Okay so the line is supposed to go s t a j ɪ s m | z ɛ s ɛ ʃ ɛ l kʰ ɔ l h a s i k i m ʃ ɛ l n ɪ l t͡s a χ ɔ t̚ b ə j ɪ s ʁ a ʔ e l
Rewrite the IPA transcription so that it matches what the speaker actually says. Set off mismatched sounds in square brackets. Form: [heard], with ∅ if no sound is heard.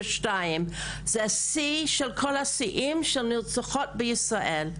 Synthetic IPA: [ʃ] t a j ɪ [∅] m | z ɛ s [i] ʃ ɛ l kʰ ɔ l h a s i [ʔ] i m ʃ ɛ l n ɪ l t͡s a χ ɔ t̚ b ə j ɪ s ʁ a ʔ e l